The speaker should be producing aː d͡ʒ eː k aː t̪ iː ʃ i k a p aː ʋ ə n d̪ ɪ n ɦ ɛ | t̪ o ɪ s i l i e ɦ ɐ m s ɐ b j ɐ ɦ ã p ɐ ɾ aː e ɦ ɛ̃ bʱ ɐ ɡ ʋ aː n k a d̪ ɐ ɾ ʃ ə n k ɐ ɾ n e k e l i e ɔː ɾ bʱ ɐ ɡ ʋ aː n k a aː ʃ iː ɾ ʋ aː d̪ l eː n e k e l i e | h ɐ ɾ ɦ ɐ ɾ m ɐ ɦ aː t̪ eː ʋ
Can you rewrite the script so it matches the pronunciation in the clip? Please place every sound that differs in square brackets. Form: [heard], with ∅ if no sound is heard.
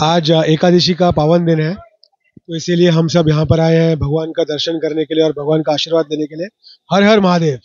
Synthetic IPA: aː d͡ʒ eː k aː [d̪] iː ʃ i k a p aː ʋ ə n d̪ ɪ n ɦ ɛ | t̪ o ɪ s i l i e ɦ ɐ m s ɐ b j ɐ ɦ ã p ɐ ɾ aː e ɦ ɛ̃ bʱ ɐ ɡ ʋ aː n k a d̪ ɐ ɾ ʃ ə n k ɐ ɾ n e k e l i e ɔː ɾ bʱ ɐ ɡ ʋ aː n k a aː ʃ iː ɾ ʋ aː d̪ l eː n e k e l i e | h ɐ ɾ ɦ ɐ ɾ m ɐ ɦ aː [d̪] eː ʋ